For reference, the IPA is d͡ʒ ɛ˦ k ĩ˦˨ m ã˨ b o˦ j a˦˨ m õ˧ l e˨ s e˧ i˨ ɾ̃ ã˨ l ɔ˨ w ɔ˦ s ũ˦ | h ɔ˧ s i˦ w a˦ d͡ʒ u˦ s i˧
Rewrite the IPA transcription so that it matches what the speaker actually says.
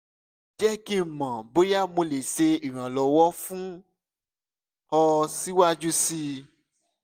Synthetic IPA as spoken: d͡ʒ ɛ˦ k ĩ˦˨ m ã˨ b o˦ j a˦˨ m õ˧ l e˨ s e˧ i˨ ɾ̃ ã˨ l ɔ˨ w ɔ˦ f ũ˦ | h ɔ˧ s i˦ w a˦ d͡ʒ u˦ s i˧